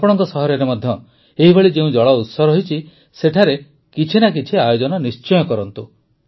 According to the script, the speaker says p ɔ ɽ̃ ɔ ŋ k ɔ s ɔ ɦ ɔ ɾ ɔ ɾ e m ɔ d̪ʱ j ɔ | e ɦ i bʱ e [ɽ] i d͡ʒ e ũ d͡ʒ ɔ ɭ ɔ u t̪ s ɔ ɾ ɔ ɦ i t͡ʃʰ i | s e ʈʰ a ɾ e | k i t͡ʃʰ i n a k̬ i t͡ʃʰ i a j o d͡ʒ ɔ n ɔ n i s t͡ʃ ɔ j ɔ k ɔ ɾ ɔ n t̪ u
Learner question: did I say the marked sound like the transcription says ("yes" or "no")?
no